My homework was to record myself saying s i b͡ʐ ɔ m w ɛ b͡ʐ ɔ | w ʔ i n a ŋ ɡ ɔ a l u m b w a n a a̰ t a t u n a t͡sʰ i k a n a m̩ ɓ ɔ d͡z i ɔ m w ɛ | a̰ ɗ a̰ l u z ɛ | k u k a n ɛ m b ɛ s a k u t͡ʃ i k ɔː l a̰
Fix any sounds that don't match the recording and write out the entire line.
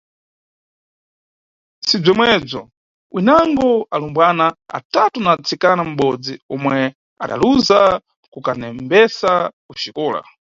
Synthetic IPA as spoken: s i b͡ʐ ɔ m w ɛ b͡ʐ ɔ | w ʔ i n a ŋ ɡ ɔ a l u m b w a n a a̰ t a t u n a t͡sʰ i k a n a m̩ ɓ ɔ d͡z i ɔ m w ɛ | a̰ ɗ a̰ l u z a | k u k a n ɛ m b ɛ s a k u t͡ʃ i k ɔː l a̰